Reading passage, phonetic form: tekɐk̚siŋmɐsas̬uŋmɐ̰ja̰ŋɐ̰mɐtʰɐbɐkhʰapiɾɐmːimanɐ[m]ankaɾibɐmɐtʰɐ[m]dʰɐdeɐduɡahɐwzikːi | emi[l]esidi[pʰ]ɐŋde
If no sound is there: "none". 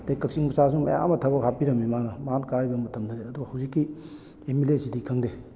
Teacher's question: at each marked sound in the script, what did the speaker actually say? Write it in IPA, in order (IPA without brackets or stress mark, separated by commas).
m, m, l, kʰ